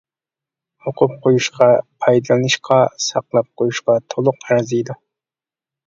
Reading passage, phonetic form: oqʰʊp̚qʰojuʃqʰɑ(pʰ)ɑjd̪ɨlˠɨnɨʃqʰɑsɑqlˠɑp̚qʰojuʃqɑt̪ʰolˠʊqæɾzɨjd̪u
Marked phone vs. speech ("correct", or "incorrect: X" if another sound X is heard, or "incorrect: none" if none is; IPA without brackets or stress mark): correct